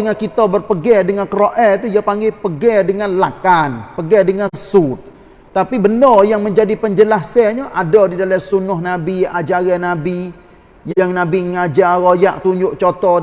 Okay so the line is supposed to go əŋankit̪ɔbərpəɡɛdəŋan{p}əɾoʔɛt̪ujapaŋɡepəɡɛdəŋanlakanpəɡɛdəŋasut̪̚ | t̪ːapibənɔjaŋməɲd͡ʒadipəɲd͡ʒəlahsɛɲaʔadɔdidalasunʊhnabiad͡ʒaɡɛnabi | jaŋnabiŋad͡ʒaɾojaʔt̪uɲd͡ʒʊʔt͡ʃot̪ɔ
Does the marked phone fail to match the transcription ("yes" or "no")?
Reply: yes